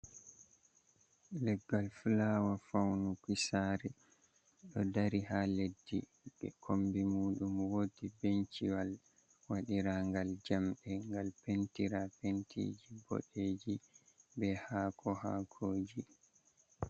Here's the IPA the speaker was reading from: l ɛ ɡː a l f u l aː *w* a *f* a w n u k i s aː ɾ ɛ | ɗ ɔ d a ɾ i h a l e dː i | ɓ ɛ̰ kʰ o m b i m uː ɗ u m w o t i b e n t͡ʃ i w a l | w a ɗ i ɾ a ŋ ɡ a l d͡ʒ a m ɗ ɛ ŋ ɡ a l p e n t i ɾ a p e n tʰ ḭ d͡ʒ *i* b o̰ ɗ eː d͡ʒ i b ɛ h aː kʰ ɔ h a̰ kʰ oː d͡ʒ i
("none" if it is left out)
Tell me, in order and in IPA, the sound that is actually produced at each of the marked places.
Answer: w, f, i

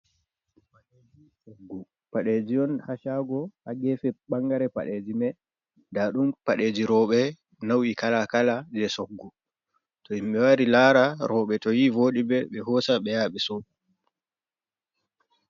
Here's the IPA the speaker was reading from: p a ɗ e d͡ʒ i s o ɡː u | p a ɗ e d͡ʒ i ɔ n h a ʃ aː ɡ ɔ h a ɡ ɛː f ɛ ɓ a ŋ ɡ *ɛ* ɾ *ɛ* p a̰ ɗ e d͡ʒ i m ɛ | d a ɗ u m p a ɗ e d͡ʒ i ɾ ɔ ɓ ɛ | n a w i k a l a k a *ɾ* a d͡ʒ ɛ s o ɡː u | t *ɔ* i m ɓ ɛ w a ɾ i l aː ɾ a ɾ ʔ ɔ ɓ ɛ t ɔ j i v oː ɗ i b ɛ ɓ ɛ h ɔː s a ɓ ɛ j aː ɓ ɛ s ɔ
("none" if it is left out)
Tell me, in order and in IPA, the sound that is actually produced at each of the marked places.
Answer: a, ɛ, l, ɔ

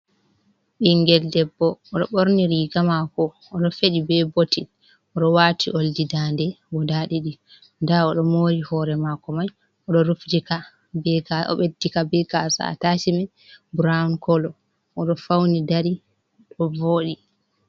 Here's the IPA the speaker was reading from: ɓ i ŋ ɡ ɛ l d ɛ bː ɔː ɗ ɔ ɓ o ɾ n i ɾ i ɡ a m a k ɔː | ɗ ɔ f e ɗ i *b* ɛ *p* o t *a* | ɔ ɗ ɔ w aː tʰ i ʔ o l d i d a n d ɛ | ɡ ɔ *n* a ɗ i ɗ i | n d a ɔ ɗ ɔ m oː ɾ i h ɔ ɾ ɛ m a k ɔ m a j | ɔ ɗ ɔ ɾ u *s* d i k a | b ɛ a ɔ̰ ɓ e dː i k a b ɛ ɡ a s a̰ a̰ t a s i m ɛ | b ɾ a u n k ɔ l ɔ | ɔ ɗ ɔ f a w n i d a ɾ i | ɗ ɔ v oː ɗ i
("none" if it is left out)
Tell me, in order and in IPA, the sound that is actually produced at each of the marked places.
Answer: b, b, i, d, f

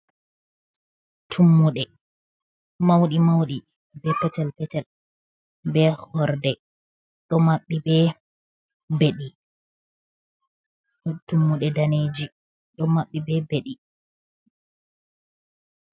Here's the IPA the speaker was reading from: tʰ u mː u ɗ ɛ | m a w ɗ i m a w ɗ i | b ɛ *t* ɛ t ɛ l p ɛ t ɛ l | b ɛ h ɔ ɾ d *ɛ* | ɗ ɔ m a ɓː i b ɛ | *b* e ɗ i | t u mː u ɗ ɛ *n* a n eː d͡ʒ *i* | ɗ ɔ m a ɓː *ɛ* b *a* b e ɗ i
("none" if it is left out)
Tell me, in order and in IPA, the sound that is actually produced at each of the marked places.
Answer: p, ɛ, b, d, i, i, ɛ

